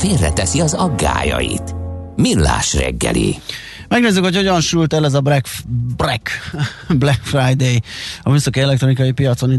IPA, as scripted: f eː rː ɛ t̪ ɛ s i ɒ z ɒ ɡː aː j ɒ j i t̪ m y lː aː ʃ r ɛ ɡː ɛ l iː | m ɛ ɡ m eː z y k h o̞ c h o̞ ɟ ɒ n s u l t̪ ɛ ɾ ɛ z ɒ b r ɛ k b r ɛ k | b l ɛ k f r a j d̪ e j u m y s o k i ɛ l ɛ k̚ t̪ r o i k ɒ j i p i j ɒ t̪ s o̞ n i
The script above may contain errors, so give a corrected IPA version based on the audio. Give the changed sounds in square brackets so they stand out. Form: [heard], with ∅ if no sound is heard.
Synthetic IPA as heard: f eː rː ɛ t̪ ɛ s i ɒ z ɒ ɡː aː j ɒ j i t̪ m [i] lː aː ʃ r ɛ ɡː ɛ l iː | m ɛ ɡ [n] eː z y k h o̞ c h o̞ ɟ ɒ n [ʃ] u l t̪ ɛ [l] ɛ z ɒ b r ɛ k b r ɛ k | b l ɛ k f r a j d̪ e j [ɒ] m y s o k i ɛ l ɛ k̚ t̪ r o i k ɒ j i p i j ɒ t̪ s o̞ n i